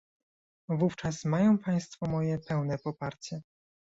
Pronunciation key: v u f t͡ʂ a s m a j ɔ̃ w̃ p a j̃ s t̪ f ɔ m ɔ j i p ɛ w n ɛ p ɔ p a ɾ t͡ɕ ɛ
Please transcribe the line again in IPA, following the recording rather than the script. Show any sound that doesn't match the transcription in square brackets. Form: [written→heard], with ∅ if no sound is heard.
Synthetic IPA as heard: v u f t͡ʂ a s m a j ɔ̃ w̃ p a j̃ s t̪ f ɔ m ɔ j [i→ɛ] p ɛ w n ɛ p ɔ p a ɾ t͡ɕ ɛ